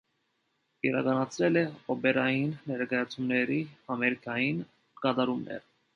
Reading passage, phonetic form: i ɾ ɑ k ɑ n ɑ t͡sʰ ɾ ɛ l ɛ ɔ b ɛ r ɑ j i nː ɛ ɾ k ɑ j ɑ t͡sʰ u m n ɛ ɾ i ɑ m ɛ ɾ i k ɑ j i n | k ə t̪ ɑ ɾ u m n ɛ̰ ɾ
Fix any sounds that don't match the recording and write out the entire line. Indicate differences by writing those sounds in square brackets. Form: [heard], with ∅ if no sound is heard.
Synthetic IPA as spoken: i ɾ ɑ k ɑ n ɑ t͡sʰ ɾ ɛ l ɛ ɔ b ɛ [ɾ] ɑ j i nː ɛ ɾ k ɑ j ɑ t͡sʰ u m n ɛ ɾ i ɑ m ɛ ɾ i k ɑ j i n | k [ɑ] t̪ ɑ ɾ u m n ɛ̰ ɾ